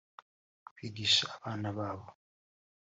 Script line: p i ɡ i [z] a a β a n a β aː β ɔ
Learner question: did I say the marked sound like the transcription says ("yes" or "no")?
no